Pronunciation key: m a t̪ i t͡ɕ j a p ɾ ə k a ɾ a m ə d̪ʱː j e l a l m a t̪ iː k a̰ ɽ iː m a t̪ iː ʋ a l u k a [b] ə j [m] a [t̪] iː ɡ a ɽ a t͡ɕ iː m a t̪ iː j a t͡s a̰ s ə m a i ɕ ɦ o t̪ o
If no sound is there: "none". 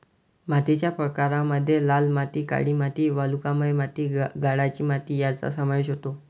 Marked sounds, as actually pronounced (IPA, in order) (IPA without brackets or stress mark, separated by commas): m, m, t̪